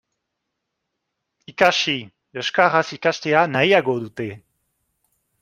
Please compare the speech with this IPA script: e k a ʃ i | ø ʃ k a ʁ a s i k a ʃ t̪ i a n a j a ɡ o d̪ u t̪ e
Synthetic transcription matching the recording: i k a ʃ i | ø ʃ k a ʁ a s i k a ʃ t̪ e a n a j a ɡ o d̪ u t̪ e